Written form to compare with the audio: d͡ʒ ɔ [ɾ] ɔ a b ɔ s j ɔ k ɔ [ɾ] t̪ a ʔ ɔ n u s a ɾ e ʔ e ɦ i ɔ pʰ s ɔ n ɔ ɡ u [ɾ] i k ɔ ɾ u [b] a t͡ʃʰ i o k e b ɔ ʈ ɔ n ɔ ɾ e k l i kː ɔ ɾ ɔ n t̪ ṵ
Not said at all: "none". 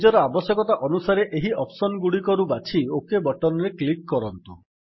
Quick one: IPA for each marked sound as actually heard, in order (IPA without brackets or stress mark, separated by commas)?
ɾ, none, ɽ, b